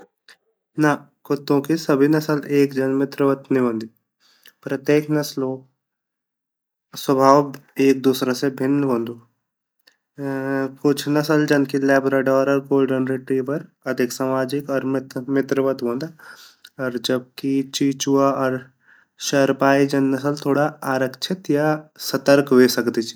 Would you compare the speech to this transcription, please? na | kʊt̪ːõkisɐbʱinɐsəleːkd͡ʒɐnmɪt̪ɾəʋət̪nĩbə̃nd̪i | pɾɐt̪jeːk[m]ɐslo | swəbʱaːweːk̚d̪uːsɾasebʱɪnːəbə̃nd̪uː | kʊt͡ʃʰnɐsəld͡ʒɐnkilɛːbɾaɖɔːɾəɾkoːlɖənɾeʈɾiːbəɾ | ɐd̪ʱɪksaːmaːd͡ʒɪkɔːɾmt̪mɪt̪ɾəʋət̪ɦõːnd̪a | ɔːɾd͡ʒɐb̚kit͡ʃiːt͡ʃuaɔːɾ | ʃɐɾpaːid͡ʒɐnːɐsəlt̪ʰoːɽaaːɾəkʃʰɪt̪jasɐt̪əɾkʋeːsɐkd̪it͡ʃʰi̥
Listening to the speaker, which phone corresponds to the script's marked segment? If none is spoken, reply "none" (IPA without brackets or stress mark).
n